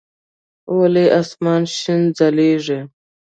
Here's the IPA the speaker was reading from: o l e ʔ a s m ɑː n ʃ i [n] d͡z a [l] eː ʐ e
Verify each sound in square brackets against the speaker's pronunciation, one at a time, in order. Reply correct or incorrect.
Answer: correct, correct

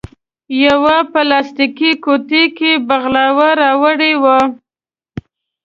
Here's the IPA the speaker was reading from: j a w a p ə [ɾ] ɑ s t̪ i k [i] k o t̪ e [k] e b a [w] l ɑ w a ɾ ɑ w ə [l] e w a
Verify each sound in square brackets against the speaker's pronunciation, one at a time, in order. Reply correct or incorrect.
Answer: incorrect: l, correct, correct, incorrect: ɣ, incorrect: ɽ

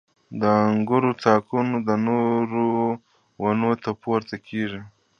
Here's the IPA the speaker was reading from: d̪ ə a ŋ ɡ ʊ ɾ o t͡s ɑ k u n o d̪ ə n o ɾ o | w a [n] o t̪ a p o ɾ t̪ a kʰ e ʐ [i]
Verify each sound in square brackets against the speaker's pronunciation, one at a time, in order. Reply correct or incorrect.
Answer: correct, correct

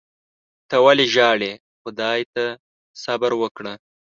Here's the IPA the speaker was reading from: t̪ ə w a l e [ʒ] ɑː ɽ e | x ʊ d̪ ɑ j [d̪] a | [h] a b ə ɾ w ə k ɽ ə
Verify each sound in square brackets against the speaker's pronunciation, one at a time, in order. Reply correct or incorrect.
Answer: correct, incorrect: t̪, incorrect: s

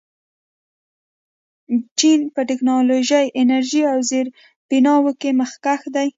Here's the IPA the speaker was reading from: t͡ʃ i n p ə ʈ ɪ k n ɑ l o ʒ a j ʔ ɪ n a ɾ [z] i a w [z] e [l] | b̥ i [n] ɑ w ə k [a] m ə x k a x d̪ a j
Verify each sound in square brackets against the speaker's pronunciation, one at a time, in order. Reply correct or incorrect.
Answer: incorrect: ʒ, correct, incorrect: ɾ, correct, incorrect: e

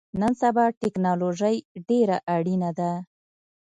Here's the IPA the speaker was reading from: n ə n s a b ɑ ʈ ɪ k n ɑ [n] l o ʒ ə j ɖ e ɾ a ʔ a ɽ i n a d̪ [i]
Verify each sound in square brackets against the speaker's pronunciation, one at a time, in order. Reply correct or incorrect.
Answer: incorrect: none, incorrect: a

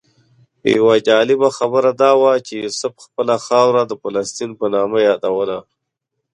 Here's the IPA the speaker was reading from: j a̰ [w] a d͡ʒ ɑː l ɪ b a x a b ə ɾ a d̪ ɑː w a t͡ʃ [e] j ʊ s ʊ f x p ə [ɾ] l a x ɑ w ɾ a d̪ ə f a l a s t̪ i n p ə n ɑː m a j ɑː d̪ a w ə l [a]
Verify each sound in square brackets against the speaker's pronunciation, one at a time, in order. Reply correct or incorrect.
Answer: correct, correct, incorrect: none, correct

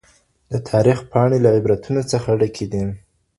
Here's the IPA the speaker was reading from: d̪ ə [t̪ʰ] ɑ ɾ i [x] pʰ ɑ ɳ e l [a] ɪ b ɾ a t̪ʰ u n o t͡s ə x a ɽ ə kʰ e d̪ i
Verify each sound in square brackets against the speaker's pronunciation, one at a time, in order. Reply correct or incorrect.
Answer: correct, correct, correct

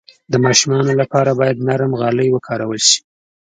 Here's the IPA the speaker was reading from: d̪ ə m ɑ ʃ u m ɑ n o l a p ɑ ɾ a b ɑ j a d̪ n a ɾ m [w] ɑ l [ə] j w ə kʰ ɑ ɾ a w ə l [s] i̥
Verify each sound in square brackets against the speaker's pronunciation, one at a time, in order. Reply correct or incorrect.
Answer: incorrect: ɣ, correct, incorrect: ʃ

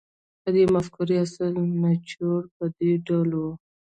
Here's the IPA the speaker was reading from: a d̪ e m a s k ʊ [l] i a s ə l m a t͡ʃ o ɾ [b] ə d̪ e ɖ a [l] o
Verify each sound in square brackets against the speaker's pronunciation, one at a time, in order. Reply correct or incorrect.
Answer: incorrect: ɾ, incorrect: p, correct

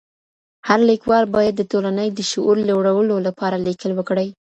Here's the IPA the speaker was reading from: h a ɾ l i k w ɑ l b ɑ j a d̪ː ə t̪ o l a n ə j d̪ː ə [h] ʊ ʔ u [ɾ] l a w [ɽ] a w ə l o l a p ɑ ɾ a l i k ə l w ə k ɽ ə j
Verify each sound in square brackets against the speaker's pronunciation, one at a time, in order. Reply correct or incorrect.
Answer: incorrect: ʃ, correct, correct

